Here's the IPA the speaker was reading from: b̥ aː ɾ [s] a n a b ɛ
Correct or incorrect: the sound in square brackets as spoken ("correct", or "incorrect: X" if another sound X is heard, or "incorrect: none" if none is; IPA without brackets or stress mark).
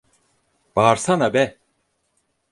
correct